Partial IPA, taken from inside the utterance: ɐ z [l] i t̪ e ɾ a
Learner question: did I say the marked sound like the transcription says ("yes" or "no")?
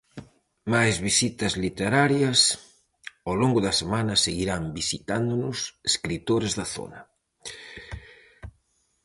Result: yes